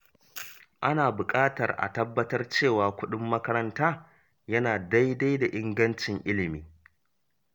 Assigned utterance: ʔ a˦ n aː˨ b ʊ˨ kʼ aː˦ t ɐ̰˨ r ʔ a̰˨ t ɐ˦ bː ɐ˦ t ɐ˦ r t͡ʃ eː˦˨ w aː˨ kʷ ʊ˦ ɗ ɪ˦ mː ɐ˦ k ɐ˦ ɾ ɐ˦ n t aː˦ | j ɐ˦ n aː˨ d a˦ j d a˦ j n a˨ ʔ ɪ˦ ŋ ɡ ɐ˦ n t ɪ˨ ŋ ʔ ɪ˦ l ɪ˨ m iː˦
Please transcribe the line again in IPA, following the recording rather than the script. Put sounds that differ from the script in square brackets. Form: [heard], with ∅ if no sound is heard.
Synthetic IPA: ʔ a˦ n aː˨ b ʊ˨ kʼ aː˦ t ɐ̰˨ r ʔ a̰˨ t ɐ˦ bː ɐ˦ t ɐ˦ r t͡ʃ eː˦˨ w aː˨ kʷ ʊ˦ ɗ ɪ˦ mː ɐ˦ k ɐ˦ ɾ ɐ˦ n t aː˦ | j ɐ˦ n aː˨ d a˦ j d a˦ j [d] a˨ ʔ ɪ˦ ŋ ɡ ɐ˦ n [t͡ʃ] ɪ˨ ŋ ʔ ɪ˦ l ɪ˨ m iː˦